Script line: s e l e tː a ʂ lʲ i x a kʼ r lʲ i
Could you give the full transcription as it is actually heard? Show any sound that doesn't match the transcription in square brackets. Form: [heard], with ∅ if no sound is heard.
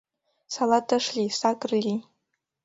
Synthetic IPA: s [a] l [a] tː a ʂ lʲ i [s] a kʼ r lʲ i